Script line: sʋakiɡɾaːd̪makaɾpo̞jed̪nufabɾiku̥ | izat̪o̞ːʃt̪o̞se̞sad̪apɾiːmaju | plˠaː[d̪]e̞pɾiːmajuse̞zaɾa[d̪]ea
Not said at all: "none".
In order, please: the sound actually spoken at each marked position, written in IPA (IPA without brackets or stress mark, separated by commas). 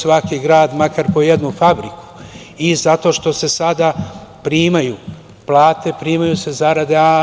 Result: t̪, d̪